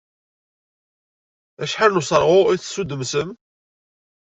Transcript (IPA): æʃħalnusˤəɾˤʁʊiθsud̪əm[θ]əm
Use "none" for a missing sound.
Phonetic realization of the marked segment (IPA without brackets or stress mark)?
s